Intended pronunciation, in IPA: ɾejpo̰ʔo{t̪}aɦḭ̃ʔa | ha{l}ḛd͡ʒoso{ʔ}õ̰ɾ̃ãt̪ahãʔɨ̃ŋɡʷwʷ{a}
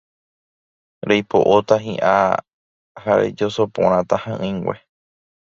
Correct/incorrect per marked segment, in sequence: correct, incorrect: ɾ, incorrect: p, incorrect: e

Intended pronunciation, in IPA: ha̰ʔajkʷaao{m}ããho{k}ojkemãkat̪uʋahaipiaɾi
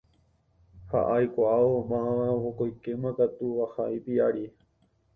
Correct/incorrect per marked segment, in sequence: correct, correct

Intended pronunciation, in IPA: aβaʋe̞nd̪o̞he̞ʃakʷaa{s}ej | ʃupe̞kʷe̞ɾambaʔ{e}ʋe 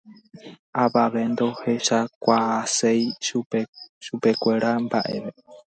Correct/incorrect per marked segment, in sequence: correct, correct

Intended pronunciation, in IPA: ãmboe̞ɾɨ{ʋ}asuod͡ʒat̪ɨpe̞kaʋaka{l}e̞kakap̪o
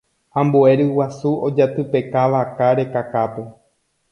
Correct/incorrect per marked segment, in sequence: incorrect: w, incorrect: ɾ

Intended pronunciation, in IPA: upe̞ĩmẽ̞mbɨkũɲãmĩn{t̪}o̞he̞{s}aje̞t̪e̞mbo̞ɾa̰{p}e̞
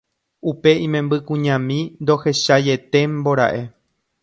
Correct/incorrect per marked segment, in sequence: incorrect: d̪, incorrect: ʃ, incorrect: ʔ

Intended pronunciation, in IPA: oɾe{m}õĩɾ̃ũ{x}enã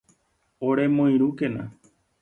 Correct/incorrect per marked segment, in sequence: correct, incorrect: k

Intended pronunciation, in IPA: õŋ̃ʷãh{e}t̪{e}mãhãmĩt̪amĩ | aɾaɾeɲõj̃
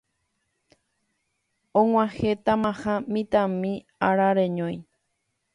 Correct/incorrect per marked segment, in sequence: correct, incorrect: a

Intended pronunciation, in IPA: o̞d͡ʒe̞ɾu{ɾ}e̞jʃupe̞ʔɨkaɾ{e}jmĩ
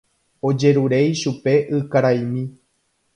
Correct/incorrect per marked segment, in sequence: correct, incorrect: a

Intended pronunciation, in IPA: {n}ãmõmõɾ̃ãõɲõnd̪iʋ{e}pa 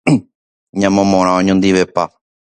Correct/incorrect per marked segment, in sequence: incorrect: ɲ, correct

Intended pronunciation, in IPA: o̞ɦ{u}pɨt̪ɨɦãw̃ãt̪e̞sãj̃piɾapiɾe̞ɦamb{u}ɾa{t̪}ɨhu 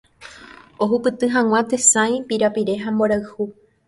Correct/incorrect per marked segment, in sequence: correct, incorrect: o, incorrect: none

